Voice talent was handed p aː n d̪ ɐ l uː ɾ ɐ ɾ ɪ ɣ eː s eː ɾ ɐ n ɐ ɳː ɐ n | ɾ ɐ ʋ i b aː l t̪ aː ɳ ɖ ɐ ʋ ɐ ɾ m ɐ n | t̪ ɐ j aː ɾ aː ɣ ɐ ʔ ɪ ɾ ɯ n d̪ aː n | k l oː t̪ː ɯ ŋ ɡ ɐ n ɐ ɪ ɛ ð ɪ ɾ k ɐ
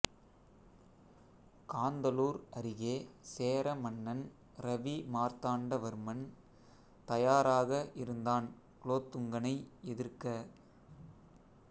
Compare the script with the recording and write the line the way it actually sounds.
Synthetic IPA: k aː n d̪ ɐ l uː ɾ ɐ ɾ ɪ ɣ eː s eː ɾ ɐ m ɐ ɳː ɐ n | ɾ ɐ ʋ i m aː ɾ t̪ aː ɳ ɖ ɐ ʋ ɐ ɾ m ɐ n | t̪ ɐ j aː ɾ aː ɣ ɐ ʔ ɪ ɾ ɯ n d̪ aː n | k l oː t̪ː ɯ ŋ ɡ ɐ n ɐ ɪ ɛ ð ɪ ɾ k ɐ